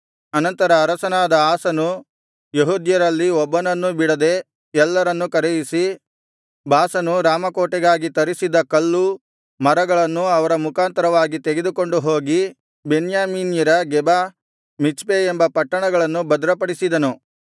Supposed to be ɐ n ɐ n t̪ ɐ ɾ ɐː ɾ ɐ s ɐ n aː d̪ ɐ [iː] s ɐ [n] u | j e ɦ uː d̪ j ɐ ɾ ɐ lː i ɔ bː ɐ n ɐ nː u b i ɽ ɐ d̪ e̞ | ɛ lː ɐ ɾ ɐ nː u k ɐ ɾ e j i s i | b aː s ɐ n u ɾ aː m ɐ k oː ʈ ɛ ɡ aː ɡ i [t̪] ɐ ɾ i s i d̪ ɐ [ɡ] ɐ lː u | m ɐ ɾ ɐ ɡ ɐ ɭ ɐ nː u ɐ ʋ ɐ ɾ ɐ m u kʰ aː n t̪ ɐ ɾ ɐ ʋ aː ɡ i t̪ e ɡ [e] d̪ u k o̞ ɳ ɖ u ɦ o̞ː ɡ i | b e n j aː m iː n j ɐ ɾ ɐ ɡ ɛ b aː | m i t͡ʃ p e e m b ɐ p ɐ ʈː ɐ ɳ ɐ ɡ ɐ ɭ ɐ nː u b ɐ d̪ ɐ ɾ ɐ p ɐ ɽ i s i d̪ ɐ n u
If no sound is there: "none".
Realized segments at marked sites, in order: aː, n, t̪, k, e

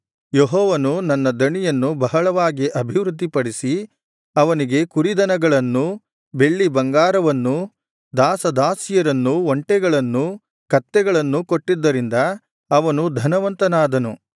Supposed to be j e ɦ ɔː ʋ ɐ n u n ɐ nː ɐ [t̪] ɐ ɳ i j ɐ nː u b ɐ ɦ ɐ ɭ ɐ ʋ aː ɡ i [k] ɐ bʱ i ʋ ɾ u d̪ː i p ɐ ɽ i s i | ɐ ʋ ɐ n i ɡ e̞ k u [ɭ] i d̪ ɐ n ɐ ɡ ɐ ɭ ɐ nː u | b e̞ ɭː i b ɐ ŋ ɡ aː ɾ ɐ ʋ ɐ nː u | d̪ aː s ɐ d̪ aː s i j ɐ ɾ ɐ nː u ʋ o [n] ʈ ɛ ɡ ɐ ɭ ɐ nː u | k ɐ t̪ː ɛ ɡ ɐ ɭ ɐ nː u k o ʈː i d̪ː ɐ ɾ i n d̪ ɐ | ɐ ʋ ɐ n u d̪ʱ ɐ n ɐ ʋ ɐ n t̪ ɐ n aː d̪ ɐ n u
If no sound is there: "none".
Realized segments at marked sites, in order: d̪, ʔ, ɾ, ɳ

